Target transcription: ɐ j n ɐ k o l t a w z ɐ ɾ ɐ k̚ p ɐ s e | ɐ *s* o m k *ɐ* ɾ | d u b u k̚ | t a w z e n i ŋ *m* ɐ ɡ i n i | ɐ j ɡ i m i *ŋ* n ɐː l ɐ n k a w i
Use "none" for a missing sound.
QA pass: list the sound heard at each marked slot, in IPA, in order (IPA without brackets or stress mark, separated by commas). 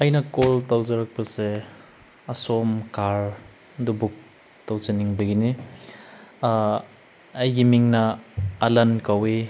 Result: s, a, b, ŋ